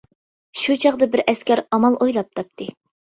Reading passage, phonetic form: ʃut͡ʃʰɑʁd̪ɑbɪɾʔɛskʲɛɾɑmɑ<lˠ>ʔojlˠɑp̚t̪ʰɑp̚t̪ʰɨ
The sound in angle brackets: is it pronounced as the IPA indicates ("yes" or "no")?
yes